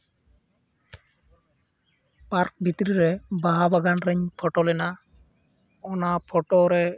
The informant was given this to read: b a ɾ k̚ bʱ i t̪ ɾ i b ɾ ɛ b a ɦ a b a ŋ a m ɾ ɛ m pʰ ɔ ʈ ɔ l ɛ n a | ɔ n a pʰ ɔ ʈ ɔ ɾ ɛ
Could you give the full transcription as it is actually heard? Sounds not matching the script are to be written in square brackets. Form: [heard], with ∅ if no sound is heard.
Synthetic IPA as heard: [p] a ɾ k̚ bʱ i t̪ ɾ i [∅] ɾ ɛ b a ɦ a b a [ɡ] a [n] ɾ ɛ [ɲ] pʰ ɔ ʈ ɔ l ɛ n a | ɔ n a pʰ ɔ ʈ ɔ ɾ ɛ